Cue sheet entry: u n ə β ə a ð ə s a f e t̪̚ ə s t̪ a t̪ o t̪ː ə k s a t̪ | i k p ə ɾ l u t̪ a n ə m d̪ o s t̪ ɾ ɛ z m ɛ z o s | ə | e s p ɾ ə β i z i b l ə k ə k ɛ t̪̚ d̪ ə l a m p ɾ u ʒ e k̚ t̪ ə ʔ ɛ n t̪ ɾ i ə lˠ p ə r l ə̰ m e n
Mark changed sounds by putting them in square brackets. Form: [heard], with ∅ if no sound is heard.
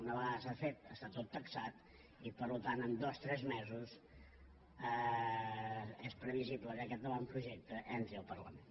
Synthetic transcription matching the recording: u n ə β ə a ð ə s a f e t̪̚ ə s t̪ a t̪ o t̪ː ə k s a t̪ | i [∅] p ə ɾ l u t̪ a n ə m d̪ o s t̪ ɾ ɛ z m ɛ z [u] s | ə | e s p ɾ ə β i z i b l ə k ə k ɛ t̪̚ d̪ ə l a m p ɾ u ʒ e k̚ t̪ ə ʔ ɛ n t̪ ɾ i ə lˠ p ə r l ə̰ m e n